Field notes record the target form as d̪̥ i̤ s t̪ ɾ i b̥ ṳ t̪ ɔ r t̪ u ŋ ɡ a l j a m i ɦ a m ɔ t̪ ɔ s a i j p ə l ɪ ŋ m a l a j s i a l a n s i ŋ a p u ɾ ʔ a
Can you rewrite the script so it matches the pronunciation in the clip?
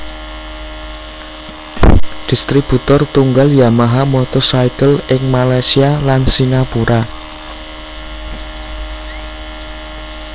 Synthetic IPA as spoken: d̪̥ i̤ s t̪ ɾ i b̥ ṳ t̪ ɔ r t̪ u ŋ ɡ a l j a m a ɦ a m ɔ t̪ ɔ s a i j k ə l ɪ ŋ m a l a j s i a l a n s i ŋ a p u ɾ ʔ a